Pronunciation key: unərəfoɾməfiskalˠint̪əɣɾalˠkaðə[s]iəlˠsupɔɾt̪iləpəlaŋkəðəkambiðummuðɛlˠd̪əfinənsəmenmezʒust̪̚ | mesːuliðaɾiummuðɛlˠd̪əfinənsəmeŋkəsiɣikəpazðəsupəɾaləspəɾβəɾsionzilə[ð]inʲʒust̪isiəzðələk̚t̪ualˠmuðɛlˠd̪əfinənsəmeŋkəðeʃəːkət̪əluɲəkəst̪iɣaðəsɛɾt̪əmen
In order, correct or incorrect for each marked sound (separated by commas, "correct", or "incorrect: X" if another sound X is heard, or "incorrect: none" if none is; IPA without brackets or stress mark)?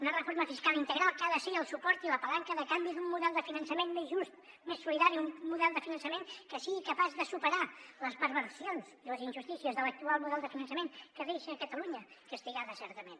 correct, incorrect: z